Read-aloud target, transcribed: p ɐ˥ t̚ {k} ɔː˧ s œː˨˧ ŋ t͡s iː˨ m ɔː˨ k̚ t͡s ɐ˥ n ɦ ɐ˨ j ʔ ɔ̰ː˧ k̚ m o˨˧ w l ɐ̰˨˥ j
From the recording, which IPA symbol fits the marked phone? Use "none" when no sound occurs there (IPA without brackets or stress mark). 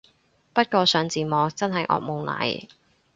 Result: k